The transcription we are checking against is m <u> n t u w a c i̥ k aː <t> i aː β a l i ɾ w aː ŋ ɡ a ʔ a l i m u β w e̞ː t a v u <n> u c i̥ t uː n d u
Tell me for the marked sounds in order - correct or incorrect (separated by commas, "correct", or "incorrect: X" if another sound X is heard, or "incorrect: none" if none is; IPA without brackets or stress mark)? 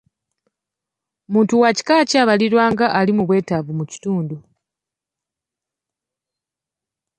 incorrect: uː, incorrect: c, incorrect: m